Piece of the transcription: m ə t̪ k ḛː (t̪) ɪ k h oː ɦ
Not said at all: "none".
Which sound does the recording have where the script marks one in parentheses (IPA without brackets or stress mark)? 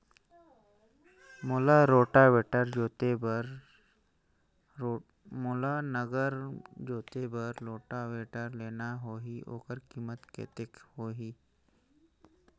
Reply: t̪